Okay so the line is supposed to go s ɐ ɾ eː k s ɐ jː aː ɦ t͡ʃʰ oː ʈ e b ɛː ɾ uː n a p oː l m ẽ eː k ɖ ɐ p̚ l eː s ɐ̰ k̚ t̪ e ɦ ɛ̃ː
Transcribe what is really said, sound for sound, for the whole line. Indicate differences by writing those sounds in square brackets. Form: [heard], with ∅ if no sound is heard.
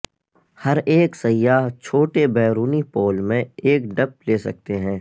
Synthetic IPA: [h] ɐ ɾ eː k s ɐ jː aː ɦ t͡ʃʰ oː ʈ e b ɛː ɾ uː n [i] p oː l m ẽ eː k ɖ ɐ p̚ l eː s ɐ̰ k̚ t̪ e ɦ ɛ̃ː